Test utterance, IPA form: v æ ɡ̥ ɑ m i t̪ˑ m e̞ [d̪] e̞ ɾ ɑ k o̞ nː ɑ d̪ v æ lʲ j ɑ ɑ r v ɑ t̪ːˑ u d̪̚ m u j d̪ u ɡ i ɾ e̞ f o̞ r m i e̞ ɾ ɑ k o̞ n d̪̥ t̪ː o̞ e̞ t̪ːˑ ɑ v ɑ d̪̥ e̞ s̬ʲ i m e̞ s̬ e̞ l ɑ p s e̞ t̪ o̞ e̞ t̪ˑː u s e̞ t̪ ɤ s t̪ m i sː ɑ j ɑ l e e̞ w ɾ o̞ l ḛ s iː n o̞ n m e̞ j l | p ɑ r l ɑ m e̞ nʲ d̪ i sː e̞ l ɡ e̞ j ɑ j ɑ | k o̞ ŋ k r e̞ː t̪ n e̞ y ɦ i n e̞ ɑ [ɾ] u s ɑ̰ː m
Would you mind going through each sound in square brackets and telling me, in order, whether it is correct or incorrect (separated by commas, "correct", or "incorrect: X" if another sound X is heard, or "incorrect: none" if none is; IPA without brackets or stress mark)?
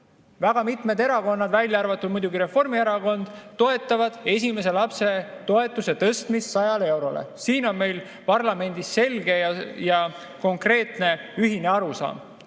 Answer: correct, correct